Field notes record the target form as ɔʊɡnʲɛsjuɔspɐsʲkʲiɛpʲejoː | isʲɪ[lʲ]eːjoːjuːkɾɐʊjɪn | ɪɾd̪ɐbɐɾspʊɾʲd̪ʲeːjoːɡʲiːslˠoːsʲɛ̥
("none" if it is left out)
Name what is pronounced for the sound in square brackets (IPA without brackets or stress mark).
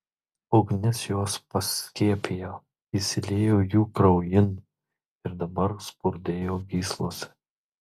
lʲ